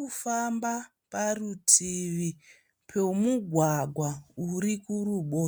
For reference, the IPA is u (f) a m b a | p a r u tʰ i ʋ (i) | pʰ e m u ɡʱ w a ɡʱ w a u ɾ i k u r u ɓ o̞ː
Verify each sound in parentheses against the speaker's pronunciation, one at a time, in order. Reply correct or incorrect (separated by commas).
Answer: correct, correct